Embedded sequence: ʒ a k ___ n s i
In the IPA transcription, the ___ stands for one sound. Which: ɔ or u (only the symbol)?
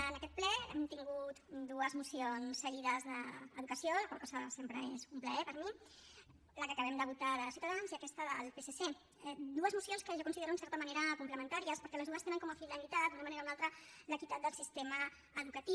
u